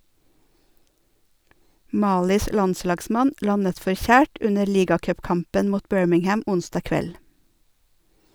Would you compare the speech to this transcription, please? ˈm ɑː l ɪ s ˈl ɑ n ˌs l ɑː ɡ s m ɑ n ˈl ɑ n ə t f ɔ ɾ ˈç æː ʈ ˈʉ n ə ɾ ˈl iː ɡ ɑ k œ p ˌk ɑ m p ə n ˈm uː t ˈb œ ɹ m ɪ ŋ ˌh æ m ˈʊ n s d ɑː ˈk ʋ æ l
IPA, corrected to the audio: ˈm ɑː l ɪ s ˈl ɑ n ˌs l ɑː ɡ s m ɑ n ˈl ɑ n ə t f ɔ ɾ ˈç æː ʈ ˈʉ n ə ɾ ˈl iː ɡ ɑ k œ p ˌk ɑ m p ə n ˈm uː t ˈb œ ɹ m ɪ ŋ ˌh æ m ˈʊ n s d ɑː ˈk ʋ ɛ l